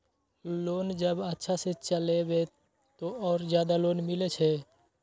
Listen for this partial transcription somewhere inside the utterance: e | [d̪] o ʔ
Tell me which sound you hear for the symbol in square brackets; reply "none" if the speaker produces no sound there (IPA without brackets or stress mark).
t̪